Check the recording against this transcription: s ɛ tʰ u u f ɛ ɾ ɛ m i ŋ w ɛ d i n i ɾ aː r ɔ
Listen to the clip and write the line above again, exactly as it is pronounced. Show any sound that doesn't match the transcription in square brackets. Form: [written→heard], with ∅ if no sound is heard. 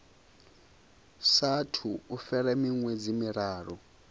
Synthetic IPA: s [ɛ→a] tʰ u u f ɛ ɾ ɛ m i ŋ w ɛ [d→d͡z] i [n→m] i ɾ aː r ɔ